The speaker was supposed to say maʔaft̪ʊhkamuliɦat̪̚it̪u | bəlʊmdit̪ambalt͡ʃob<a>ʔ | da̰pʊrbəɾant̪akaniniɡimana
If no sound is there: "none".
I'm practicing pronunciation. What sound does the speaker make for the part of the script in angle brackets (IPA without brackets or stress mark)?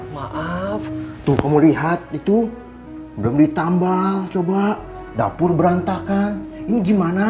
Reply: a